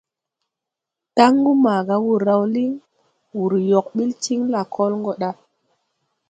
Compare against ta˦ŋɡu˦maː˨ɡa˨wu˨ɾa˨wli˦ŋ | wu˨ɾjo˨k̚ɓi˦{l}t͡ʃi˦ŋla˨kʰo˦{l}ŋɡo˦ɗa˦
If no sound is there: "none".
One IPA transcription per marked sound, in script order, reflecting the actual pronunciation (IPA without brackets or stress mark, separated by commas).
l, l